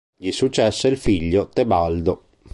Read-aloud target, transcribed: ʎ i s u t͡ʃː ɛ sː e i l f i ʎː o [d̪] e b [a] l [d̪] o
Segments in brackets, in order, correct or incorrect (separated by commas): incorrect, correct, correct